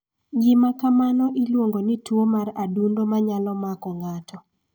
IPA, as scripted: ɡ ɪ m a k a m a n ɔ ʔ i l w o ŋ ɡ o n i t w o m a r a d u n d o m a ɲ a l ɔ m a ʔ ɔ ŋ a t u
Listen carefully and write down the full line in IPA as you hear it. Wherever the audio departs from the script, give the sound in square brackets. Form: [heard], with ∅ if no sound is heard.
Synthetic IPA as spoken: ɡ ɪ m a k a m a n ɔ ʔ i l w o ŋ ɡ o n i t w o m a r a d u n d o m a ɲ a l ɔ m a [k] ɔ ŋ a t [ɔ]